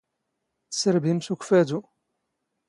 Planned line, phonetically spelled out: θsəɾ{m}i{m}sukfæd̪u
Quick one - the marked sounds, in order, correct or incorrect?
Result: incorrect: b, correct

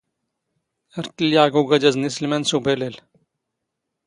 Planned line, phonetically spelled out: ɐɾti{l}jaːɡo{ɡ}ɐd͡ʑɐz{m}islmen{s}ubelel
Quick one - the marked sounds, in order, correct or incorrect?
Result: correct, correct, incorrect: n, correct

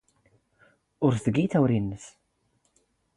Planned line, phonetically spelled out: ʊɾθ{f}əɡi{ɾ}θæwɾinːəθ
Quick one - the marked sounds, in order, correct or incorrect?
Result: incorrect: θ, incorrect: none

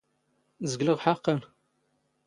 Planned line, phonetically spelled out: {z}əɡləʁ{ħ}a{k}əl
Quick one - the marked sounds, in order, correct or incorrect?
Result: correct, correct, incorrect: q

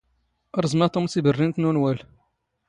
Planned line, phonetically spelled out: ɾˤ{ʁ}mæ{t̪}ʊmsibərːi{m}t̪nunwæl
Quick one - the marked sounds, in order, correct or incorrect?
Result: incorrect: z, correct, incorrect: n

